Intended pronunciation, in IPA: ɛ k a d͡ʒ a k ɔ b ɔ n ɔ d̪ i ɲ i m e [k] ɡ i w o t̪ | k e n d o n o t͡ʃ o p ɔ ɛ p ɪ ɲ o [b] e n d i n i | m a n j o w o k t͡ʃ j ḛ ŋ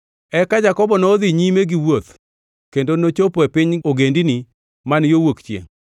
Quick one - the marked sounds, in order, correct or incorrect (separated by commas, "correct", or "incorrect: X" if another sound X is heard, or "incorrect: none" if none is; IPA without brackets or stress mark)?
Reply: incorrect: none, incorrect: ɡ